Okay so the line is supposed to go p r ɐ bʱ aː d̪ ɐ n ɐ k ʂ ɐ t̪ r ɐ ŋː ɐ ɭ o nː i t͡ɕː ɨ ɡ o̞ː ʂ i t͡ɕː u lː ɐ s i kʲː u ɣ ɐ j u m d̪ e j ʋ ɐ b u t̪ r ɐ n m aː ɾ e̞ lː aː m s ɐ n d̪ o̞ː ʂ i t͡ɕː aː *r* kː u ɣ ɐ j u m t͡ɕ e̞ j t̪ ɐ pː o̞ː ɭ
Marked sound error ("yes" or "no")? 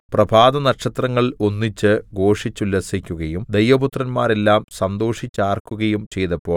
no